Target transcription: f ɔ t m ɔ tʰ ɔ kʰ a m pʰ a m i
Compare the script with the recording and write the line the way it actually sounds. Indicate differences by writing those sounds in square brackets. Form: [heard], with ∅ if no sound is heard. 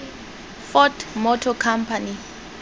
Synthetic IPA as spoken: f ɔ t m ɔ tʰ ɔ kʰ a m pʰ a [n] i